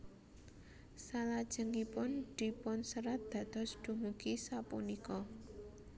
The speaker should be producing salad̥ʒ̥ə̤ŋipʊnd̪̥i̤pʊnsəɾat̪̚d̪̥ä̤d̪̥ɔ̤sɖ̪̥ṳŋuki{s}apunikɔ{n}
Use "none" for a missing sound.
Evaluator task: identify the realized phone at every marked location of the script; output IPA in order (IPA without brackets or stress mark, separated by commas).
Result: s, none